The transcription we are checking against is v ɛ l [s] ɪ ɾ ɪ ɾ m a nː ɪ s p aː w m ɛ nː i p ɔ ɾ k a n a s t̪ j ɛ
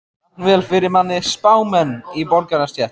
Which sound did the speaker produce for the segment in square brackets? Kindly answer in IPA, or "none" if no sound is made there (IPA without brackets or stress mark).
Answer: f